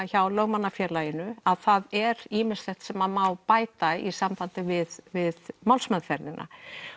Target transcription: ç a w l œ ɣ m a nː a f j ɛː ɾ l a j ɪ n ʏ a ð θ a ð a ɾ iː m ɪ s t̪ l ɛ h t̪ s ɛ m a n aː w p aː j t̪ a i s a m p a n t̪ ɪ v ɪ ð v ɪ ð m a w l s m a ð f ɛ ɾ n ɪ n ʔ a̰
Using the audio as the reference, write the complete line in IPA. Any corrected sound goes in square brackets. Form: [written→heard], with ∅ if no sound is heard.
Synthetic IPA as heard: ç a w l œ ɣ m a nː a f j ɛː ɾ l a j ɪ n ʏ a ð θ a ð [a→ɛ] ɾ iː m ɪ s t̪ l ɛ h t̪ s ɛ m a [n→m] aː w p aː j t̪ a i s a m p a n t̪ ɪ v ɪ ð v ɪ ð m a w l s m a ð f ɛ ɾ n ɪ n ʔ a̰